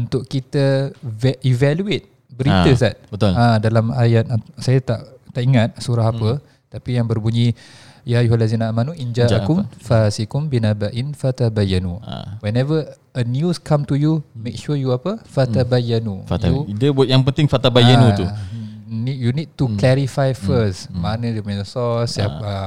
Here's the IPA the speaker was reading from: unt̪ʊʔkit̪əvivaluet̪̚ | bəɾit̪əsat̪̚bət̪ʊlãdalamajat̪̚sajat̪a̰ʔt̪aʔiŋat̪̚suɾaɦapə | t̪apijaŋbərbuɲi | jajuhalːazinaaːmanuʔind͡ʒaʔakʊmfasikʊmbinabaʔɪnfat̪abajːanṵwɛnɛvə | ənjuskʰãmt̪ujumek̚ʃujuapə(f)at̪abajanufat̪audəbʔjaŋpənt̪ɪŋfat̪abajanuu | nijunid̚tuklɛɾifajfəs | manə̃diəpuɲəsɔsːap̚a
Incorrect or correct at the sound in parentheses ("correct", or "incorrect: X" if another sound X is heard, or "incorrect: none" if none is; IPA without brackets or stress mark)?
correct